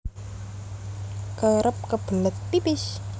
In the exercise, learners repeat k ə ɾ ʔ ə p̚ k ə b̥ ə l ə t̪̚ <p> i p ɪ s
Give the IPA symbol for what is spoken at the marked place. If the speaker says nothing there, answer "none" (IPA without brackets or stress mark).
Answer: p